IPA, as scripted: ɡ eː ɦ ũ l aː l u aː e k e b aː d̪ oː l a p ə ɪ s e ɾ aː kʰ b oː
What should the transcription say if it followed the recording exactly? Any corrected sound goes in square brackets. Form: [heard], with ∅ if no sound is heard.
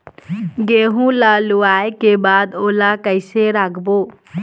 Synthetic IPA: ɡ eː ɦ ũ l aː l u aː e k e b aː d̪ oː l a [k] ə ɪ s e ɾ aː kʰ b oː